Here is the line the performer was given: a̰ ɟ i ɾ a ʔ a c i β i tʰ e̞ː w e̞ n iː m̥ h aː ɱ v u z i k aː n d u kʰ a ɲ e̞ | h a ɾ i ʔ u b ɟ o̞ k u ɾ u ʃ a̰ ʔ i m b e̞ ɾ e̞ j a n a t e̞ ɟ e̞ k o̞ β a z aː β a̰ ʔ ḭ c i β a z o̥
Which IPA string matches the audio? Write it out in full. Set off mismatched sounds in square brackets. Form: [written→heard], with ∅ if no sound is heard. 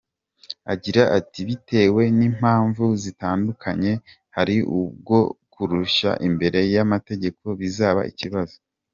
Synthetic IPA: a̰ ɟ i ɾ a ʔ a [c→t] i β i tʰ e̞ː w e̞ n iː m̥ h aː ɱ v u z i [k→t] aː n d u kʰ a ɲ e̞ | h a ɾ i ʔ u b [ɟ→ɡ] o̞ k u ɾ u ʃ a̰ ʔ i m b e̞ ɾ e̞ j a [n→m] a t e̞ ɟ e̞ k o̞ β [a→i] z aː β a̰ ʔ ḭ c i β a z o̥

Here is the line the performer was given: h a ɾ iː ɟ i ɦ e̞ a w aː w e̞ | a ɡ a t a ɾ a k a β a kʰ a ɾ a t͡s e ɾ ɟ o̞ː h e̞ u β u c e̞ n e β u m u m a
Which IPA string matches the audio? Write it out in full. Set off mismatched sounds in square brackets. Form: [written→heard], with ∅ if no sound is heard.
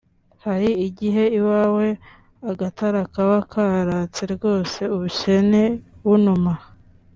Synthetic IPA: h a ɾ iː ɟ i ɦ e̞ [a→i] w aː w e̞ | a ɡ a t a ɾ a k a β a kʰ a ɾ a t͡s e ɾ [ɟ→ɡ] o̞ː [h→s] e̞ u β u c e̞ n e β u [m→n] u m a

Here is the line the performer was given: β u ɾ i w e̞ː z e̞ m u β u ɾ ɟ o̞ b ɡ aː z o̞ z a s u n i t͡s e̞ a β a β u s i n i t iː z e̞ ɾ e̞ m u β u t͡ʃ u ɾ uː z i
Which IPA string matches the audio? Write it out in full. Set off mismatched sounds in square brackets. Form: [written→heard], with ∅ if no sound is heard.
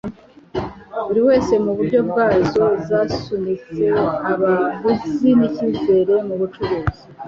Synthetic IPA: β u ɾ i w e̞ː [z→s] e̞ m u β u ɾ ɟ o̞ b ɡ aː z o̞ z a s u n i t͡s e̞ a β a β u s i n i [t→c] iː z e̞ ɾ e̞ m u β u t͡ʃ u ɾ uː z i

